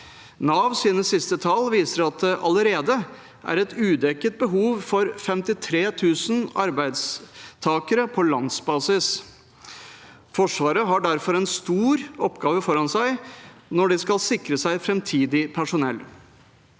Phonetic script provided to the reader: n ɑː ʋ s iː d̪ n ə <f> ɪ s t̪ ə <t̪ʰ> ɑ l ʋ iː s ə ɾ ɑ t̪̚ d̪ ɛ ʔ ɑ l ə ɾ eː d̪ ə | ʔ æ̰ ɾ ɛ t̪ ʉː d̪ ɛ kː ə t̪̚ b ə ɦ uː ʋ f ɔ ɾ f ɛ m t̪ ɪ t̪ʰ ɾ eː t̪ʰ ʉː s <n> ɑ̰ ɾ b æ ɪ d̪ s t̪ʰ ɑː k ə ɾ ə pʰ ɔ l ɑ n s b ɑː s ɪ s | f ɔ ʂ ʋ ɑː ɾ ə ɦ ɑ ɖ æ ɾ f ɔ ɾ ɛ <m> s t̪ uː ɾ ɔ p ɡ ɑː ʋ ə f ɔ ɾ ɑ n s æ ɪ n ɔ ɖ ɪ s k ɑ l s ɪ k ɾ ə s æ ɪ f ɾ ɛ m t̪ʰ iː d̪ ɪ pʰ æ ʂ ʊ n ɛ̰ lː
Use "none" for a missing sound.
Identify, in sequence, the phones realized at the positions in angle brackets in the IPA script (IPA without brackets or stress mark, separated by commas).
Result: s, t̪ʰ, n, n